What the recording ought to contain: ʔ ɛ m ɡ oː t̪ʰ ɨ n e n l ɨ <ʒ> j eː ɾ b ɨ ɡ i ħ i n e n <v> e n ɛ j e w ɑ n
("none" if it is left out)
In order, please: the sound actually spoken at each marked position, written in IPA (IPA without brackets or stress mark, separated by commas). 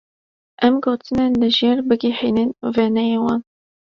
ʒ, v